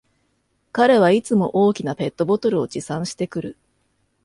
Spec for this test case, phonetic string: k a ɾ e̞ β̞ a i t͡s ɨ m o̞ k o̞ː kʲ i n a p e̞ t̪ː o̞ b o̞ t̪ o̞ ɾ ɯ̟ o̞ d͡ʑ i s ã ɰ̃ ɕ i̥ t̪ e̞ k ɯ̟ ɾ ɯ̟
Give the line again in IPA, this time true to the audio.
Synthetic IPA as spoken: k a ɾ e̞ β̞ a i t͡s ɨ m o̞ ʔ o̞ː kʲ i n a p e̞ t̪ː o̞ b o̞ t̪ o̞ ɾ ɯ̟ o̞ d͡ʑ i s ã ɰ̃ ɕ i̥ t̪ e̞ k ɯ̟ ɾ ɯ̟